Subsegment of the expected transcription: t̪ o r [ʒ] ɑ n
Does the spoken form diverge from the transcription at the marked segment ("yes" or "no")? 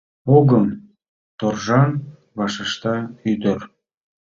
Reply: no